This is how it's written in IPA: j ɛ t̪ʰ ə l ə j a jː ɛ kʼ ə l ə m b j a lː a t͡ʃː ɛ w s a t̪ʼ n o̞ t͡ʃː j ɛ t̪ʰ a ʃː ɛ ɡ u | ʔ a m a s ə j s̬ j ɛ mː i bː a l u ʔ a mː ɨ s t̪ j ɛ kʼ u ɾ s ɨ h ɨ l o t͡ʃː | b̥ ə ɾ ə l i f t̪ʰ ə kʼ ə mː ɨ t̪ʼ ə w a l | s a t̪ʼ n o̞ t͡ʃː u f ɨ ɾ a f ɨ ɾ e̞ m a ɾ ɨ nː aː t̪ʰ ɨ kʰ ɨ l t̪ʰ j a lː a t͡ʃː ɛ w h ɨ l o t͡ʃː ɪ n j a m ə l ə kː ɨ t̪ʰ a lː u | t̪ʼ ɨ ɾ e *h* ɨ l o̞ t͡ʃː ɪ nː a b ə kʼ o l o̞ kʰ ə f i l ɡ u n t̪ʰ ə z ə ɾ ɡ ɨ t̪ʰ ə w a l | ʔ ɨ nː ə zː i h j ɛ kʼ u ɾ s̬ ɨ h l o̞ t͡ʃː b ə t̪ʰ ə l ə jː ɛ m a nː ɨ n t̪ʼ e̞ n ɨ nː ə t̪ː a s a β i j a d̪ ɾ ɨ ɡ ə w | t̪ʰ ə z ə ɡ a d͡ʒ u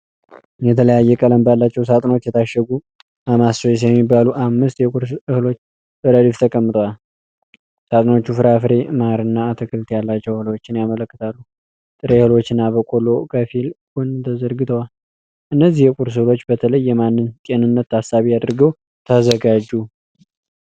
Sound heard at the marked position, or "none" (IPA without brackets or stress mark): h